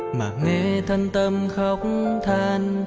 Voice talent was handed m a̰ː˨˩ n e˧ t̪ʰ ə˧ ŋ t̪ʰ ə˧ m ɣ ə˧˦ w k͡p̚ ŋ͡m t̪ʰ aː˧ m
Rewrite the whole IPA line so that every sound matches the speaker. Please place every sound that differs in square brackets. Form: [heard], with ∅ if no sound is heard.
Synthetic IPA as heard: m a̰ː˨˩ [ŋ] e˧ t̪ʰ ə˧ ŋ [t̪] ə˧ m [x] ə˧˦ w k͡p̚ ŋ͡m t̪ʰ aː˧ [n]